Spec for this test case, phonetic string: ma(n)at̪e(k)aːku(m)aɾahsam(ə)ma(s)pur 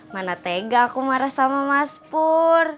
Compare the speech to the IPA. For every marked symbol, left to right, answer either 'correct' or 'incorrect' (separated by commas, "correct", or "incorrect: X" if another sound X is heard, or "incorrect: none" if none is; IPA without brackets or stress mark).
correct, incorrect: ɡ, correct, incorrect: a, correct